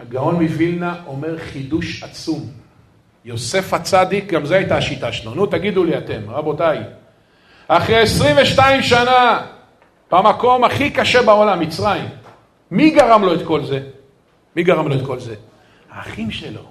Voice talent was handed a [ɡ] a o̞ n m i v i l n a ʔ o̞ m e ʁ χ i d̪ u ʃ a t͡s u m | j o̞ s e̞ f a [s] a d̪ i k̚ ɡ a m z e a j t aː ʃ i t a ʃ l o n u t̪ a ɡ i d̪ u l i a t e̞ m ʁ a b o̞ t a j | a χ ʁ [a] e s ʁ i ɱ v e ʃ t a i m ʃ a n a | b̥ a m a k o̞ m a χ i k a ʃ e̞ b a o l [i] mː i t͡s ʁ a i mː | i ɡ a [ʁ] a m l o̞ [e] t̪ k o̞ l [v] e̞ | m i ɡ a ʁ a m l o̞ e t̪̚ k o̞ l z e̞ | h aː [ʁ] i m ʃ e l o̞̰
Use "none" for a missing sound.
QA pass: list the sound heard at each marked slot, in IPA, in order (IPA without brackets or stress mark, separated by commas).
ɡ, t͡s, e, a, ʁ, e, z, χ